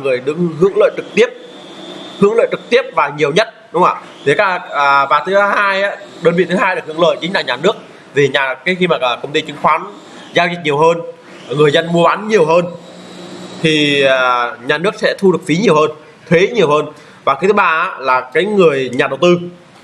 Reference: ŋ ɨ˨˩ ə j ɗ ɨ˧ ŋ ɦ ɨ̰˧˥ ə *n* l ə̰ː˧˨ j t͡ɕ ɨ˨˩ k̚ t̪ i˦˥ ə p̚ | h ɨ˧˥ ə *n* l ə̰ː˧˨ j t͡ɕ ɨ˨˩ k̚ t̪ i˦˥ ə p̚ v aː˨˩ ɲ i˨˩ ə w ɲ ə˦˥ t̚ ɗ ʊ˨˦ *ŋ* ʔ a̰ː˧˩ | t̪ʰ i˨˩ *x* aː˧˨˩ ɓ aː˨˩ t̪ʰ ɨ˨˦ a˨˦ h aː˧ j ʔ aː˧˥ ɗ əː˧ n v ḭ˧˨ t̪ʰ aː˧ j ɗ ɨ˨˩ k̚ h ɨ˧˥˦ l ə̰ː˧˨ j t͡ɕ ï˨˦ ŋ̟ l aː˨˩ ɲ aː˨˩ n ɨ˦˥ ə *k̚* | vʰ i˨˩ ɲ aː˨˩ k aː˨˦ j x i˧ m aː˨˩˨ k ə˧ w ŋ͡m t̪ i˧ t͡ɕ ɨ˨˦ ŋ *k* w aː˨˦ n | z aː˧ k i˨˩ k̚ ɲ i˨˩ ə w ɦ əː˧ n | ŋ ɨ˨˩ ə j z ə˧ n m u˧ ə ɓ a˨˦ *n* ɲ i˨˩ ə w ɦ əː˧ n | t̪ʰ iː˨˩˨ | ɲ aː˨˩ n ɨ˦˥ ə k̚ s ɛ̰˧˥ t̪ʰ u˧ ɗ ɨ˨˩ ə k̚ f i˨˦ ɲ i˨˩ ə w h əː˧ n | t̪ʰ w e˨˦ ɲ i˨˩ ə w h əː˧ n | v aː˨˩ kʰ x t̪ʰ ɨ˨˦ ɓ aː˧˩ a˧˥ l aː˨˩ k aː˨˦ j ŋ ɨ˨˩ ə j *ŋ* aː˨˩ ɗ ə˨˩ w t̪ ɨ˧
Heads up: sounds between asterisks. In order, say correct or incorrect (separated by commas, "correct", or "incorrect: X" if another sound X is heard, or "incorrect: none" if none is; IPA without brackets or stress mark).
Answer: incorrect: ŋ, incorrect: ŋ, incorrect: ŋ͡m, incorrect: k, correct, incorrect: x, correct, incorrect: ɲ